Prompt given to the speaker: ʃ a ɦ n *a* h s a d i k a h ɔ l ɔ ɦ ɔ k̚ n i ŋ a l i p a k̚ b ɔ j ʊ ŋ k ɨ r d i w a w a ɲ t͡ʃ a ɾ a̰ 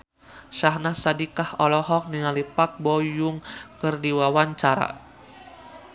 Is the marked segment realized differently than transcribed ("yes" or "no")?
no